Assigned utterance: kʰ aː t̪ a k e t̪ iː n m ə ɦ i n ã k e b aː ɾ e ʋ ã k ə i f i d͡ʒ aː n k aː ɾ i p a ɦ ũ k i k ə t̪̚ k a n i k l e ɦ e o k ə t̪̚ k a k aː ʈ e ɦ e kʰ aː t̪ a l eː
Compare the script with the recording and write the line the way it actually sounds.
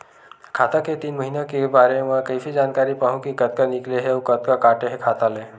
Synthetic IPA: kʰ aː t̪ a k e t̪ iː n m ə ɦ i n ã k e b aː ɾ e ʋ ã k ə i f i d͡ʒ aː n k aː ɾ i p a ɦ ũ k i k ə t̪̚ k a n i k l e ɦ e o k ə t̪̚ k a k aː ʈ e ɦ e kʰ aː t̪ a l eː